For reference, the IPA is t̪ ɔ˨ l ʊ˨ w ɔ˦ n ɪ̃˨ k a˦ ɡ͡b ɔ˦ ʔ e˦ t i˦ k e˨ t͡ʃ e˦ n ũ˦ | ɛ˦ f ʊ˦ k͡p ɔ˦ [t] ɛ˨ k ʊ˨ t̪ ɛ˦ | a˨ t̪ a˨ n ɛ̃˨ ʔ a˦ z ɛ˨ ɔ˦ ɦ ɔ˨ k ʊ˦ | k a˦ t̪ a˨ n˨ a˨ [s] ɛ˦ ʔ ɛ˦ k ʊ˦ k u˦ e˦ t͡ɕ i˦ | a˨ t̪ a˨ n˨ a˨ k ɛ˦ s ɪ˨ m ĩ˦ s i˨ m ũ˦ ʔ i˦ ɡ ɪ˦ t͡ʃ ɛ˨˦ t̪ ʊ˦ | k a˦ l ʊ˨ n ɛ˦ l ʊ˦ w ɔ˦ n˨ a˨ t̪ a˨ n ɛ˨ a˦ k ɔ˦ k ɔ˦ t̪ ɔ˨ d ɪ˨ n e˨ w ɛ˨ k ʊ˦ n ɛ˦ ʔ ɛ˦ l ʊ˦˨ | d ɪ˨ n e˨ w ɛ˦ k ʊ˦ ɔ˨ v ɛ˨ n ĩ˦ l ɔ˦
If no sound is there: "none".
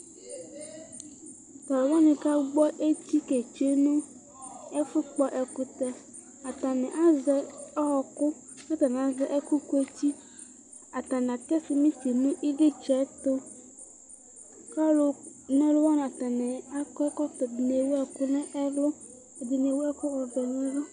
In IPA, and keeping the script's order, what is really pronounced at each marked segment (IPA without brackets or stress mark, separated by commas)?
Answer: ʔ, z